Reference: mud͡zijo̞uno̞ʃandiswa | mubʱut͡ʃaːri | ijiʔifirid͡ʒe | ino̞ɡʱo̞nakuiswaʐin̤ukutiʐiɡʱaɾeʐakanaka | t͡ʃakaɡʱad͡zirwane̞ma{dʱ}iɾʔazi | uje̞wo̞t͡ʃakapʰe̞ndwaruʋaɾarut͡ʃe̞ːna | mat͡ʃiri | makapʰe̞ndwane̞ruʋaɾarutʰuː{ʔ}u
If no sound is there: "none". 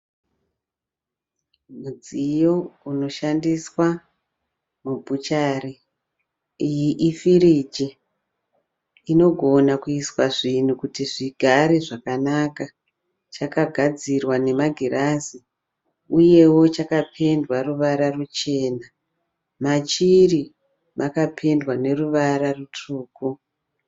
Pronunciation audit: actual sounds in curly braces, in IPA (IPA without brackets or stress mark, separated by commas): ɡʱ, k